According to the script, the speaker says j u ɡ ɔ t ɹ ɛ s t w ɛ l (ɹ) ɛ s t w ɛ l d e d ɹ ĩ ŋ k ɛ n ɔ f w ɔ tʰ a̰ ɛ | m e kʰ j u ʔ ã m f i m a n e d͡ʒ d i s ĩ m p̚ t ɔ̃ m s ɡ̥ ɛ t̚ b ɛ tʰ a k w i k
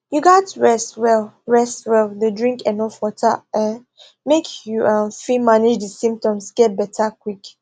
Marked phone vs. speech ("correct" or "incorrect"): correct